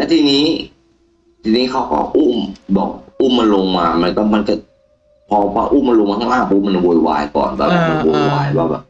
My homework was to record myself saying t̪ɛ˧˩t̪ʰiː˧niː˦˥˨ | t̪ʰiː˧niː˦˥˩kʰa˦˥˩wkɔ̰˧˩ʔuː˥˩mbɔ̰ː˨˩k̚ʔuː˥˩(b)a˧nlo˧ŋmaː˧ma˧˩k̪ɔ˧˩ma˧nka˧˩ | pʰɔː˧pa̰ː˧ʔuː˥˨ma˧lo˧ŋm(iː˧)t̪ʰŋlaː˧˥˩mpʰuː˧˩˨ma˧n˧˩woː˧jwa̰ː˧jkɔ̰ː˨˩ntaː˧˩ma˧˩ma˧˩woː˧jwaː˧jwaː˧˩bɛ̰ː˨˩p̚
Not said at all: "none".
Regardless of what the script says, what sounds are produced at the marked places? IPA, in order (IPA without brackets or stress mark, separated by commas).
m, aː˧